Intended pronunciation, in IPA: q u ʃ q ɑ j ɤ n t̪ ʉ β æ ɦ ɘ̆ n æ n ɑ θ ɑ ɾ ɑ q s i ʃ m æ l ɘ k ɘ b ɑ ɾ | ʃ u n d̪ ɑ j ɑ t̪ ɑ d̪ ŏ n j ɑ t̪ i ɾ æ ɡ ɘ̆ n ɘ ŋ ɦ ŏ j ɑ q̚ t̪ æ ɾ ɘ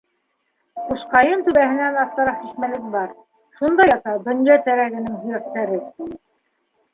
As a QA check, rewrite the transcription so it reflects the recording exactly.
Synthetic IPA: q u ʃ q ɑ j ɤ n t̪ ʉ β æ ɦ ɘ̆ n æ n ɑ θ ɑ ɾ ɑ q s i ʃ m æ l ɘ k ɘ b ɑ ɾ | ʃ u n d̪ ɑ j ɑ t̪ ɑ d̪ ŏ n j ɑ t̪ æ ɾ æ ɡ ɘ̆ n ɘ ŋ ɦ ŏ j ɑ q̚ t̪ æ ɾ ɘ